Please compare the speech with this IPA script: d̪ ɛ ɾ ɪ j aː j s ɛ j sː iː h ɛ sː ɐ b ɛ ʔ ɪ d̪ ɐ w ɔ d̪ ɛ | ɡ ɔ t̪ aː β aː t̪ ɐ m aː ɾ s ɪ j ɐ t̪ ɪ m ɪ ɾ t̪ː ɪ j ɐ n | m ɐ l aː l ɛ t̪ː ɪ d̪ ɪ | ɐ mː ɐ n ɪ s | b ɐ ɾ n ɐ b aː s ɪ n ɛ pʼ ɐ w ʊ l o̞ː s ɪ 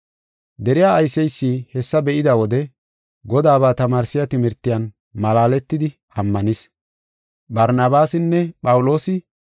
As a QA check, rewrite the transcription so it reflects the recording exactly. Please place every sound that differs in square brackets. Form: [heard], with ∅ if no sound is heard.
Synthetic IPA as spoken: d̪ ɛ ɾ ɪ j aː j s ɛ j sː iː h ɛ sː ɐ b ɛ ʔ ɪ d̪ ɐ w ɔ d̪ ɛ | ɡ ɔ [d̪] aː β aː t̪ ɐ m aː ɾ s ɪ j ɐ t̪ ɪ m ɪ ɾ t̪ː ɪ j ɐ n | m ɐ l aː l ɛ t̪ː ɪ d̪ ɪ | ɐ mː ɐ n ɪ s | b ɐ ɾ n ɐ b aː s ɪ [nː] ɛ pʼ ɐ w ʊ l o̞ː s ɪ